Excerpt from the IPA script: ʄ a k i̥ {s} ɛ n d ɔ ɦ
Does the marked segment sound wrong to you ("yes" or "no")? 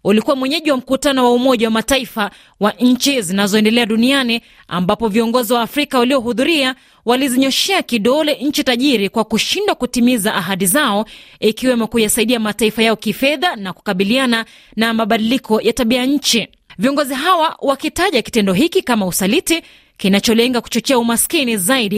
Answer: yes